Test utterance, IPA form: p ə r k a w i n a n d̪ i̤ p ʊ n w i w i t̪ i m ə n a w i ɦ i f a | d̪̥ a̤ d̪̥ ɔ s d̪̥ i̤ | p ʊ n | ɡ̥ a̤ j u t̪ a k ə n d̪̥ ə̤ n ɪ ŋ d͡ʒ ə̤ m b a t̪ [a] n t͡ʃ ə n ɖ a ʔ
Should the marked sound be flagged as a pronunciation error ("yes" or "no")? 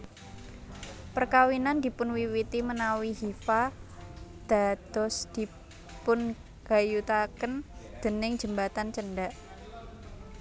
no